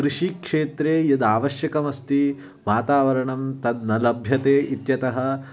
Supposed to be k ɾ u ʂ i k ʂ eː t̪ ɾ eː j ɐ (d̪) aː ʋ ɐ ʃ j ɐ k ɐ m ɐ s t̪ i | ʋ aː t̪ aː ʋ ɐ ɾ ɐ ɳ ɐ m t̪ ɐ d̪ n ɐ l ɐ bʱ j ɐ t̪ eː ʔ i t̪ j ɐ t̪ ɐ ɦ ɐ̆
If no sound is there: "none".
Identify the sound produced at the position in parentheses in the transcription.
d̪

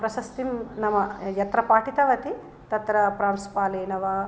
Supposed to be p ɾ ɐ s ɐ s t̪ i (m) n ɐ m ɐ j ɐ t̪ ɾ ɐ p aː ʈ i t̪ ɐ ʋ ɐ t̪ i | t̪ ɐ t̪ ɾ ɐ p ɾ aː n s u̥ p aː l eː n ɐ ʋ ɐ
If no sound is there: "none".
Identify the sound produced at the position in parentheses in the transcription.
m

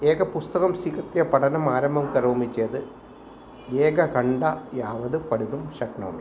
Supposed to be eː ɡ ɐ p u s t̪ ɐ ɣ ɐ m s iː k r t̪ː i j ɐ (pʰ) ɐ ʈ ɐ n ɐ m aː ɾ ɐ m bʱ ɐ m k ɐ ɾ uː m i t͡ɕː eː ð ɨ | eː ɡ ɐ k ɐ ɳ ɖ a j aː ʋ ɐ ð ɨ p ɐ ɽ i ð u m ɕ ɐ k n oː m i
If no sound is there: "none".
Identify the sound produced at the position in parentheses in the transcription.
p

